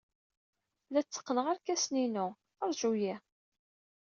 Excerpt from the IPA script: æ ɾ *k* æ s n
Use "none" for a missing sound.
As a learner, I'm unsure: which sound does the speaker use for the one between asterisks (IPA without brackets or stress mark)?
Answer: k